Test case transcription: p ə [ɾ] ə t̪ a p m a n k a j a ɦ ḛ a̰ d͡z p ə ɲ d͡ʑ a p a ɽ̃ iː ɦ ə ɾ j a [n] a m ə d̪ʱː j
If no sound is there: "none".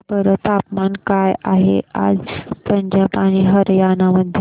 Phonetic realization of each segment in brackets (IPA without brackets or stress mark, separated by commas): ɾ, n